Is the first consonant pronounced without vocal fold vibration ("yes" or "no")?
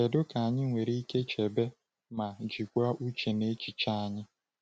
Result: no